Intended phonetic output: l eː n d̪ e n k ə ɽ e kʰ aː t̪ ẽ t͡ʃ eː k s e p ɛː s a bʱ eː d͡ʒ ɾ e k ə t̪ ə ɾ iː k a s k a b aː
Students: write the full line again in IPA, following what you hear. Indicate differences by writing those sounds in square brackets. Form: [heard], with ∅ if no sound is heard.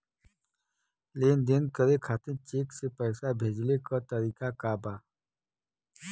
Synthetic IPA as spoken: l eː n d̪ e n k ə [ɾ] e kʰ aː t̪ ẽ t͡ʃ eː k s e p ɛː s a bʱ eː d͡ʒ [l] e k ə t̪ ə ɾ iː k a [∅] k a b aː